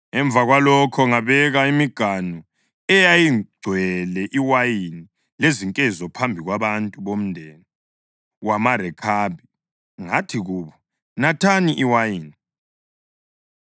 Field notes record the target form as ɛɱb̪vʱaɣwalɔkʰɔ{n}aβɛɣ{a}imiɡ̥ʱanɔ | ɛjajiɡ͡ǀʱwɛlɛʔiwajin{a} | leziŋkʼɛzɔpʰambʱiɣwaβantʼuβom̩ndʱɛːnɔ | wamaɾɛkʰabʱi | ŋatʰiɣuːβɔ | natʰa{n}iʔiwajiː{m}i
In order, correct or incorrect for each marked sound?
incorrect: ŋ, correct, incorrect: i, correct, incorrect: n

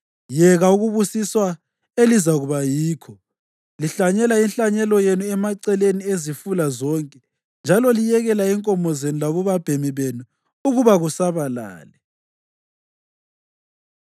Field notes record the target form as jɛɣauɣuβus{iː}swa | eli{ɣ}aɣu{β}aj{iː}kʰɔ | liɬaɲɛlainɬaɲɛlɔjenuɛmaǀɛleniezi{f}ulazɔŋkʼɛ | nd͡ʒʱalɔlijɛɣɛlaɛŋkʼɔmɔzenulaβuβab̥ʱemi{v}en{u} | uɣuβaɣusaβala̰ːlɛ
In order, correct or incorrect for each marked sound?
incorrect: i, incorrect: z, correct, correct, correct, incorrect: β, correct

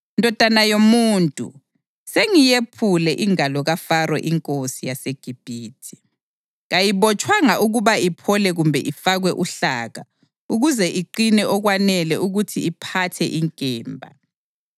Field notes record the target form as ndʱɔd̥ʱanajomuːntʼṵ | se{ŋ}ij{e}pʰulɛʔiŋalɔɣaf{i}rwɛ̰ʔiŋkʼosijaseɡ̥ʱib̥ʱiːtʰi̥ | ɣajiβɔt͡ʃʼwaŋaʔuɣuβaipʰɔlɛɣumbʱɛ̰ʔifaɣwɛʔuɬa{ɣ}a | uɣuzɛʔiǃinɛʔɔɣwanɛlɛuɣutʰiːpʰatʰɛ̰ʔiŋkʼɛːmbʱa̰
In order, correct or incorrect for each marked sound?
correct, correct, incorrect: a, correct

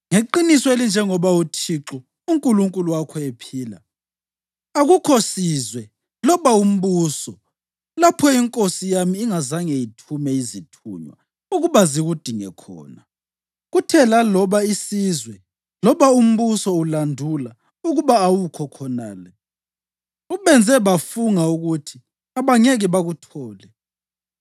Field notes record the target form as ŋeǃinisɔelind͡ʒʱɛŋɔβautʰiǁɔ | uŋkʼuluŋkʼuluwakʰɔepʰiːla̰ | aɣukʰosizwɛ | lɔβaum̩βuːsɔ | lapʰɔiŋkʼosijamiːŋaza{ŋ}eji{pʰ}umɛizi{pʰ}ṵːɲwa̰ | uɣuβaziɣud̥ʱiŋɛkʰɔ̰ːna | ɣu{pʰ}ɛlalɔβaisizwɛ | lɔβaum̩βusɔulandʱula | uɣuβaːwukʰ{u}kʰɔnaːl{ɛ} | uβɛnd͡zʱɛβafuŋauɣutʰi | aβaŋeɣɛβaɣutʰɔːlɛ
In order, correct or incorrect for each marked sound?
correct, incorrect: tʰ, incorrect: tʰ, incorrect: tʰ, incorrect: ɔ, correct

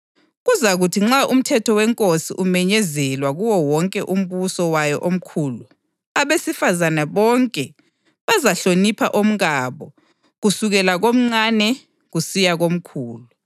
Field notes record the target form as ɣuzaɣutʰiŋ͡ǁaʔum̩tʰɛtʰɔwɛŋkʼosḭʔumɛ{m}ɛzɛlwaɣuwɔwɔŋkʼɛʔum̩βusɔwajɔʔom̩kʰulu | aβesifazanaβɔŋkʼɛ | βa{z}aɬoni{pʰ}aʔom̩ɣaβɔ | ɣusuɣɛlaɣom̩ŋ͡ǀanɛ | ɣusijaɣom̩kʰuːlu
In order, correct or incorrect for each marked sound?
incorrect: ɲ, correct, correct

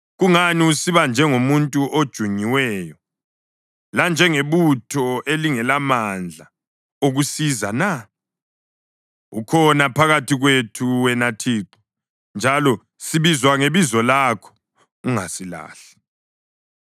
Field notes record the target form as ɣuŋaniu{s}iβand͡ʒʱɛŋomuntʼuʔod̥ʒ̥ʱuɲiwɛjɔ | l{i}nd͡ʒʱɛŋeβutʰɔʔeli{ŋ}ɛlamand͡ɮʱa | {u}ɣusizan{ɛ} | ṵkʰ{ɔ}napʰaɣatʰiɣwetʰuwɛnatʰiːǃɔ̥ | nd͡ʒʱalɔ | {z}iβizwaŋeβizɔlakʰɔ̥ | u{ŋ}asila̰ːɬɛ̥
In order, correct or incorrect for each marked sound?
correct, incorrect: a, correct, incorrect: o, incorrect: a, correct, incorrect: s, correct

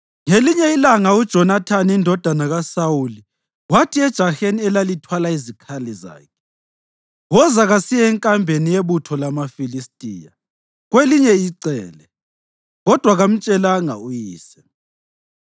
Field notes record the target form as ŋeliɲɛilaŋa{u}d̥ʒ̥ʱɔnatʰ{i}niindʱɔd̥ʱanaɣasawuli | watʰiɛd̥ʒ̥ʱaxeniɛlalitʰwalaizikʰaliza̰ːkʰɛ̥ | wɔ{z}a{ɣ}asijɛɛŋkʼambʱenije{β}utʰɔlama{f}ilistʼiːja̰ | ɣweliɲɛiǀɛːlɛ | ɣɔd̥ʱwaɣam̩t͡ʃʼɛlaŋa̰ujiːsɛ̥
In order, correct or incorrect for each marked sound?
correct, incorrect: a, correct, correct, correct, correct

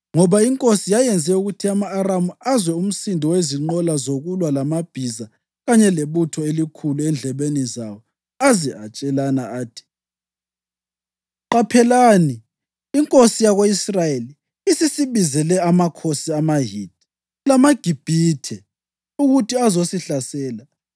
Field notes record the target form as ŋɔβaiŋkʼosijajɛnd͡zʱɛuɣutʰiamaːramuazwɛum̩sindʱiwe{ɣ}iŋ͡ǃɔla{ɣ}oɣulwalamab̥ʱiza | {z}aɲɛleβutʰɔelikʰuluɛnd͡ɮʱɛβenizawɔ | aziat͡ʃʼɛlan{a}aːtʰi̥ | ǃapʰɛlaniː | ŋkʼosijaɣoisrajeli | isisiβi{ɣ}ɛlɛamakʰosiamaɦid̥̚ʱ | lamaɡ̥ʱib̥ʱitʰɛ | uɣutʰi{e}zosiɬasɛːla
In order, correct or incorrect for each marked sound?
incorrect: z, incorrect: z, incorrect: ɣ, correct, incorrect: z, incorrect: a

